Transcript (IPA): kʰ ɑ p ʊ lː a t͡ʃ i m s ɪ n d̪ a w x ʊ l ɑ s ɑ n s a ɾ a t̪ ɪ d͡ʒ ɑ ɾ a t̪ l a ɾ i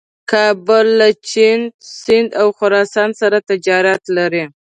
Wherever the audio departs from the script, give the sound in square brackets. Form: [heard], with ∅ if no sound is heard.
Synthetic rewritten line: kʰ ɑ [b] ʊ lː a t͡ʃ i [n] s ɪ n d̪ a w x ʊ [ɾ] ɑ s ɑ n s a ɾ a t̪ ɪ d͡ʒ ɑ ɾ a t̪ l a ɾ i